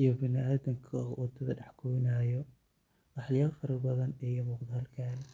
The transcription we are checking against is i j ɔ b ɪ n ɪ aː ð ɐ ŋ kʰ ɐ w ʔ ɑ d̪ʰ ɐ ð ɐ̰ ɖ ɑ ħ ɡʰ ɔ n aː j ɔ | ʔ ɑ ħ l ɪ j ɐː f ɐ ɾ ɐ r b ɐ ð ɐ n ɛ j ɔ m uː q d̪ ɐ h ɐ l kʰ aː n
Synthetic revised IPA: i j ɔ b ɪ n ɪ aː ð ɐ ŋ kʰ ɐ w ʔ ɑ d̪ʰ ɐ ð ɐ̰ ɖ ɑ ħ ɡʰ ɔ n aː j ɔ | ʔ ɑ ħ l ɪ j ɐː f ɐ ɾ ɐ r b ɐ ð ɐ n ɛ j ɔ m uː q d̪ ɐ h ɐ l kʰ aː n

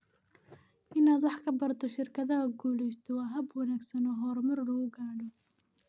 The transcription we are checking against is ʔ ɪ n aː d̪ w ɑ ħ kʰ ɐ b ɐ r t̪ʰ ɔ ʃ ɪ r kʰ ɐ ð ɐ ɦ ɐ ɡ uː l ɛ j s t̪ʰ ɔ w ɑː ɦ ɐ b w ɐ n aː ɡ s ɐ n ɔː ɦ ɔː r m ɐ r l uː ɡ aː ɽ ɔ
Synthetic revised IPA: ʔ ɪ n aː d̪ w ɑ ħ kʰ ɐ b ɐ r t̪ʰ ɔ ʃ ɪ r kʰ ɐ ð ɐ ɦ ɐ ɡ uː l ɛ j s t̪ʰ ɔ w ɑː ɦ ɐ b w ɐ n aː ɡ s ɐ n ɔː ɦ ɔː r m ɐ r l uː ɡ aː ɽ ɔ

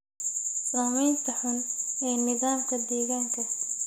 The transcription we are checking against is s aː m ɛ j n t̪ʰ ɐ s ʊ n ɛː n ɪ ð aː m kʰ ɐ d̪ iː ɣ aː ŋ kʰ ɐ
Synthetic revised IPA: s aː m ɛ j n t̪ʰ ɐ ħ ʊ n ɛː n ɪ ð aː m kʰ ɐ d̪ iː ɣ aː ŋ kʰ ɐ

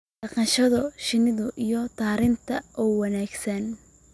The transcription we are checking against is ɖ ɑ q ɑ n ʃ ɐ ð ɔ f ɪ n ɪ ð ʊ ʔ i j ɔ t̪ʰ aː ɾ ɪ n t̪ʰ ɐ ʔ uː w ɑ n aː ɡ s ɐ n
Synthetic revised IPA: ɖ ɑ q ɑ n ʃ ɐ ð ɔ ʃ ɪ n ɪ ð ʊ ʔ i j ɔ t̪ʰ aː ɾ ɪ n t̪ʰ ɐ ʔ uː w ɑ n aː ɡ s ɐ n

